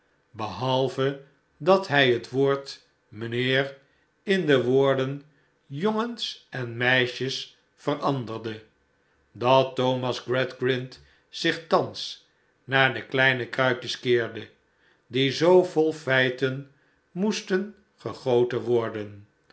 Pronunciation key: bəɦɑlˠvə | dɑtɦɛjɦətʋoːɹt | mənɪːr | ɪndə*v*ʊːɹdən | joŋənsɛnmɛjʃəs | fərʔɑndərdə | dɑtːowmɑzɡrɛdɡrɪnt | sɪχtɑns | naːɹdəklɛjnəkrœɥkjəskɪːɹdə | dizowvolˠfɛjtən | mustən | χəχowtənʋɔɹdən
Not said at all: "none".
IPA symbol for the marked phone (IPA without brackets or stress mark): ʋ